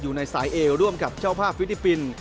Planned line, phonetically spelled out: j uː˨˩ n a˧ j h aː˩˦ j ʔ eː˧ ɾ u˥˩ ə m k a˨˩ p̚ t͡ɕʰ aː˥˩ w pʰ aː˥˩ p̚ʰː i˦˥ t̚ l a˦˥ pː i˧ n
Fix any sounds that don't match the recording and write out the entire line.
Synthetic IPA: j uː˨˩ n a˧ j s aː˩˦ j ʔ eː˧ ɾ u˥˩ ə m k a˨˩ p̚ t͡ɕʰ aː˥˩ w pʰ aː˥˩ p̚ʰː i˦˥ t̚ l i˦˥ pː i˧ n